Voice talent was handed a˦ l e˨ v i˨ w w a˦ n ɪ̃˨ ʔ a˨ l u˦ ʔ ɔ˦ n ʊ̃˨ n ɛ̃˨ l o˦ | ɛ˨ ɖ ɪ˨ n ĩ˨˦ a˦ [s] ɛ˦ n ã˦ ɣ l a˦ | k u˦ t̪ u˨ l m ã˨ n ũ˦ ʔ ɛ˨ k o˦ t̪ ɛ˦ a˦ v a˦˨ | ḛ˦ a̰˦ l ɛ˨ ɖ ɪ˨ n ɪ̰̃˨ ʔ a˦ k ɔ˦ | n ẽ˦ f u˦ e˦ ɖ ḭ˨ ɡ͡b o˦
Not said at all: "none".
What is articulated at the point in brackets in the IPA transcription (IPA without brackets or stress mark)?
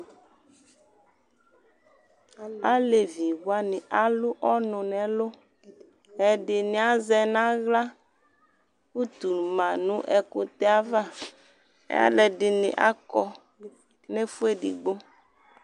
z